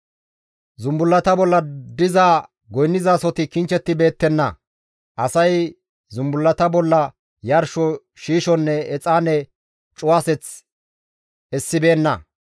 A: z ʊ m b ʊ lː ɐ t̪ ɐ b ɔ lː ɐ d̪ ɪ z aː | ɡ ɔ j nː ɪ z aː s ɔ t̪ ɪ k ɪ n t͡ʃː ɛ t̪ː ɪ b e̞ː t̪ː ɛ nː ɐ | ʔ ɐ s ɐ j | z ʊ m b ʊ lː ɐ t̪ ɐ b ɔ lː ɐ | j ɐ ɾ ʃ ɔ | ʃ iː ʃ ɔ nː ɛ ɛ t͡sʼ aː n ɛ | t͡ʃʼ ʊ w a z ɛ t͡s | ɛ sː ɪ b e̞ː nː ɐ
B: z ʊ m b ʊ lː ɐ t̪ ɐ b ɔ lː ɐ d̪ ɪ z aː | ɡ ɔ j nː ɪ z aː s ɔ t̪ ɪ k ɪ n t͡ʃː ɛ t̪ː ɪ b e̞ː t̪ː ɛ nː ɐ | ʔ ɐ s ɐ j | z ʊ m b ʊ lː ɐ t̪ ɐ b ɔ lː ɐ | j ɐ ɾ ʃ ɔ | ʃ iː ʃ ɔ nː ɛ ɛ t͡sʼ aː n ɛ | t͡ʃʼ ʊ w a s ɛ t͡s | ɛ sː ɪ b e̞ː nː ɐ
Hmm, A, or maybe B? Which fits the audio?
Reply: B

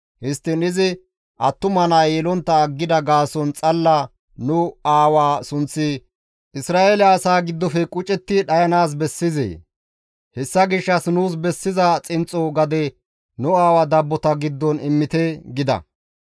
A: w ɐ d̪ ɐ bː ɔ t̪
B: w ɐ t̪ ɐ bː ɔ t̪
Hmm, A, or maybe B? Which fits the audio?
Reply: A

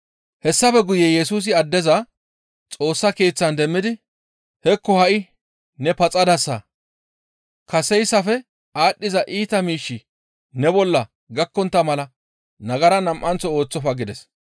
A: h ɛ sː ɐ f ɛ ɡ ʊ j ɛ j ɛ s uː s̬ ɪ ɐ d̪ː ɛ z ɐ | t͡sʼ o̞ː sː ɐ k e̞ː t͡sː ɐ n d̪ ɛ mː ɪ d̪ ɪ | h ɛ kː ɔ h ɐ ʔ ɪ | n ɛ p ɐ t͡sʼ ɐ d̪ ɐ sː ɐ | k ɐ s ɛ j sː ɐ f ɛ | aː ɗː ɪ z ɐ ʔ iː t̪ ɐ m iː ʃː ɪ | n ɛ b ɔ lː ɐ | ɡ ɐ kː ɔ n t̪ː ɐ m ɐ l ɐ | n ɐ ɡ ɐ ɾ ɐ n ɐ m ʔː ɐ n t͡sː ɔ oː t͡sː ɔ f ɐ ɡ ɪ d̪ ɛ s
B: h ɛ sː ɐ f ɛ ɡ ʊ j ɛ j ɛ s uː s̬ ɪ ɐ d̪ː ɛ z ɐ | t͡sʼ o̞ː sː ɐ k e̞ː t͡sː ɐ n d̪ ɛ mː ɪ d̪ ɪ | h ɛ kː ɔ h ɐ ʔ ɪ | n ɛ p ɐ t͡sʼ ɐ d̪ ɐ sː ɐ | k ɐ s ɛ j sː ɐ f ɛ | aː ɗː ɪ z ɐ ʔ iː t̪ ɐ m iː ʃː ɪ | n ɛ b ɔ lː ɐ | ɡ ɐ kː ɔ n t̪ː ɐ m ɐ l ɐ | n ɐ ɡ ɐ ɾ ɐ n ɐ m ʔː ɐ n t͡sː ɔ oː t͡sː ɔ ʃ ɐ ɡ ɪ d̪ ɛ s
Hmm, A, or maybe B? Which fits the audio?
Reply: A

